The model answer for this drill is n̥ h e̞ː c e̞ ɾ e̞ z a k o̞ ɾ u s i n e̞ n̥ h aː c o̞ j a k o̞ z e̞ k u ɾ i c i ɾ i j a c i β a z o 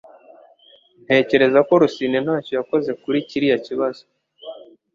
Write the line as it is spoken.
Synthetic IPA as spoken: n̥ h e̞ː c e̞ ɾ e̞ z a k o̞ ɾ u s i n e̞ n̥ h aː c o̞ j a k o̞ z e̞ k u ɾ i c i ɾ i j a c i β a z o